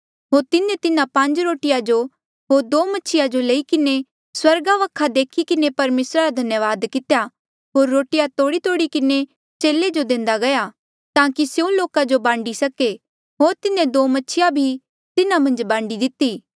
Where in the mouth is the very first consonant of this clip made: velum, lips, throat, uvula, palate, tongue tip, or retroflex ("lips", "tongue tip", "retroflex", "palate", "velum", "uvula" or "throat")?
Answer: throat